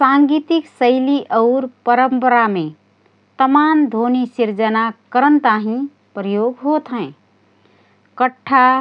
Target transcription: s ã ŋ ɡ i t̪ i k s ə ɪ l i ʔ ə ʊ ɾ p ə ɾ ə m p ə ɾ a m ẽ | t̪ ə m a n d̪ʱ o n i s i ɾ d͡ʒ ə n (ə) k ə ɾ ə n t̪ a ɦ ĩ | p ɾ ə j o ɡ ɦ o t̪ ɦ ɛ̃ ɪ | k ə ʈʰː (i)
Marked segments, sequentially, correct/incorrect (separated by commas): incorrect, incorrect